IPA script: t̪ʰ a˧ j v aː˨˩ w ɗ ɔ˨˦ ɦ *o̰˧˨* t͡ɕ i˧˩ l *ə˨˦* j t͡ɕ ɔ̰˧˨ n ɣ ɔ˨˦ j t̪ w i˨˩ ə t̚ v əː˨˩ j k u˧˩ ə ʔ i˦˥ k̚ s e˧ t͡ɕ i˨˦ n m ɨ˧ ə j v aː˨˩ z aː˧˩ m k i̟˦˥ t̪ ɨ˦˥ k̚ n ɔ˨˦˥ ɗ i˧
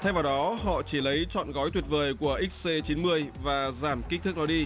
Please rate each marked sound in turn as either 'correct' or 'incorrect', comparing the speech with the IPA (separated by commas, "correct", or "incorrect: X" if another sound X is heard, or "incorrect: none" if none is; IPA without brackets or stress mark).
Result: incorrect: ɔ̰˧˨, correct